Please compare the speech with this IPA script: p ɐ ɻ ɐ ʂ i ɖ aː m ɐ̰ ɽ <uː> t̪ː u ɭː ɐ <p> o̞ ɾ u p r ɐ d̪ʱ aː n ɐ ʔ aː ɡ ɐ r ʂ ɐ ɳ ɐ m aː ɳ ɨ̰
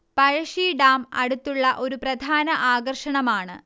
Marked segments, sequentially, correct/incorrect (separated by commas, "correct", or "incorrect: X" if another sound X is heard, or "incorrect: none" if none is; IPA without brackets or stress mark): incorrect: u, incorrect: ʔ